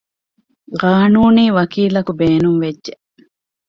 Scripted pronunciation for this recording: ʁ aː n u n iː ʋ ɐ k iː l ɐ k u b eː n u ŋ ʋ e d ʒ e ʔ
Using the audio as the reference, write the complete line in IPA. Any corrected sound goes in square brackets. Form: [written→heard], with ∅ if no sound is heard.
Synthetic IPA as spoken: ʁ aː n [u→uː] n iː ʋ ɐ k iː l ɐ k u b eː n u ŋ ʋ e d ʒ e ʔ